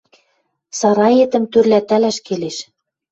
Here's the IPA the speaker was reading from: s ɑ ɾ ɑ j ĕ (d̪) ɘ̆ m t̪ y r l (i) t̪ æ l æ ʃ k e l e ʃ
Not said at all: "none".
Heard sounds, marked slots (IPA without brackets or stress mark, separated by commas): t̪, æ